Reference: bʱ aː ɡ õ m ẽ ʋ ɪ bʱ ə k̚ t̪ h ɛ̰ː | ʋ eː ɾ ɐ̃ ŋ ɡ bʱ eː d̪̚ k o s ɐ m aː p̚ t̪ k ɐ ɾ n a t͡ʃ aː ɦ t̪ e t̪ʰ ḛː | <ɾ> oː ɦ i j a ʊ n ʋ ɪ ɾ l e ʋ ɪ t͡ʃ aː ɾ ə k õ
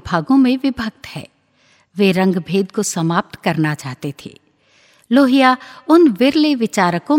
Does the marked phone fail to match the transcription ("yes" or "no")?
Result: yes